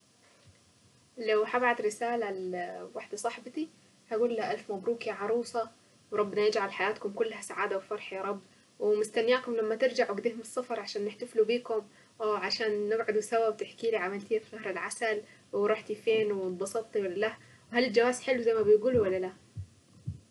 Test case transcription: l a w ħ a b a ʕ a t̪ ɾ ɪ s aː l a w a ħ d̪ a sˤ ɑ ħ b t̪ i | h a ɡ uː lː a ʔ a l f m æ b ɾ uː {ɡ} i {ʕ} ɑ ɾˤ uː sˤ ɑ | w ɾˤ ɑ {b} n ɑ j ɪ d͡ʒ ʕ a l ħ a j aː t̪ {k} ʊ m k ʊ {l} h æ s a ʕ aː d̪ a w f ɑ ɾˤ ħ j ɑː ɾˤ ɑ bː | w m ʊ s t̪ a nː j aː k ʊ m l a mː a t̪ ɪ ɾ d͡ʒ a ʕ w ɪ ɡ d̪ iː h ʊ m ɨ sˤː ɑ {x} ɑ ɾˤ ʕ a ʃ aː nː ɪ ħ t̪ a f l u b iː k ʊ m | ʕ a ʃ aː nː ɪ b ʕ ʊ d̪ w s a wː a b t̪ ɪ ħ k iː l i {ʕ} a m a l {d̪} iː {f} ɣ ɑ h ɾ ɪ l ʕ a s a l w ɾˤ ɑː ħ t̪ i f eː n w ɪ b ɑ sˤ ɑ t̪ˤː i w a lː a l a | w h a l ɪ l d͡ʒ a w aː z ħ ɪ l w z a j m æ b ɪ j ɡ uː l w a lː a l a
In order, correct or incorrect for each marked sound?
incorrect: k, correct, incorrect: bː, correct, incorrect: lː, incorrect: f, correct, incorrect: t̪, correct

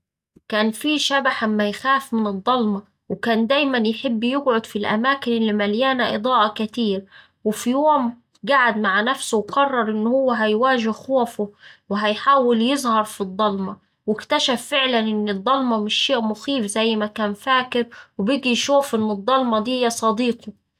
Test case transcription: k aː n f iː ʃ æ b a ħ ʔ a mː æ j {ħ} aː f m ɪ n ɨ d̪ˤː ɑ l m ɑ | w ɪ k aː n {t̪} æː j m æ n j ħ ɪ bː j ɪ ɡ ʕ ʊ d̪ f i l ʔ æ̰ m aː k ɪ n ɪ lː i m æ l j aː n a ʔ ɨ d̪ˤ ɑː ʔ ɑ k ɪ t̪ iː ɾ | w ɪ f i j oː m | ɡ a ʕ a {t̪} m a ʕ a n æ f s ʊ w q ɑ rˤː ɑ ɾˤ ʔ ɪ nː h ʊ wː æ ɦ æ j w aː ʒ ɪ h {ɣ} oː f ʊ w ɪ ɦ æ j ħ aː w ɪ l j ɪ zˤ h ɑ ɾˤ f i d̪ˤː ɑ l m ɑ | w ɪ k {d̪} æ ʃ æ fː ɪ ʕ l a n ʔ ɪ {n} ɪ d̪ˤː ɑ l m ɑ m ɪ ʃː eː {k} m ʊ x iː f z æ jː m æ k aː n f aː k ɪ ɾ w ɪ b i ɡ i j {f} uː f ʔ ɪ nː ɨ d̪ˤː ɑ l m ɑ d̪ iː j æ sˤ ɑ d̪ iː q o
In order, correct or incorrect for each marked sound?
incorrect: x, incorrect: d̪, incorrect: d̪, incorrect: x, incorrect: t̪, incorrect: nː, incorrect: ʔ, incorrect: ʃ

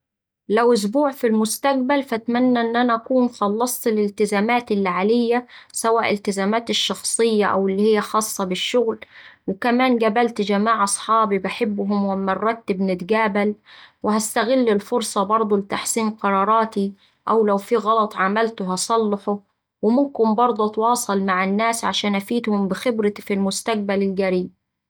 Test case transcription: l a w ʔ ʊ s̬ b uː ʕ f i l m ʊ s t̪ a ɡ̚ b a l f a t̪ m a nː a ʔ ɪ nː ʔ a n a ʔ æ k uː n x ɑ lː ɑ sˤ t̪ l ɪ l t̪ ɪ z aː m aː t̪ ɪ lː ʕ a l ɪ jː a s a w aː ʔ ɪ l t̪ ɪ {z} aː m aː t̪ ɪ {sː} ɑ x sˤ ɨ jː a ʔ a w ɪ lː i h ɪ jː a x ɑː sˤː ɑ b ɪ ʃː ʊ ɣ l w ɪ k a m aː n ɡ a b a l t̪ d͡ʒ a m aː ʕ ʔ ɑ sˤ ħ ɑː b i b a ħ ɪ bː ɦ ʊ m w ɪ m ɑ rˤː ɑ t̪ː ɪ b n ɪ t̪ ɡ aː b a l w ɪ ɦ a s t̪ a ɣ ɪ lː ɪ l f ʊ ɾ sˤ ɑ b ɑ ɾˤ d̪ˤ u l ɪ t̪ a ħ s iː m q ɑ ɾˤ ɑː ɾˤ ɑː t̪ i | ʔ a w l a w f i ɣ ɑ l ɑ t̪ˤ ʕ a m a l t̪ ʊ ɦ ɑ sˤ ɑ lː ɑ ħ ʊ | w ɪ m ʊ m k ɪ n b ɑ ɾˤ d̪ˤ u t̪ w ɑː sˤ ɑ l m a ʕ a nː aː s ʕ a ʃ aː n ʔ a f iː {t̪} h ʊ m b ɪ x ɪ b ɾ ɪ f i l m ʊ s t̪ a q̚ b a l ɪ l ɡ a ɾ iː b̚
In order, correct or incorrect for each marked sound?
correct, incorrect: ʃː, correct

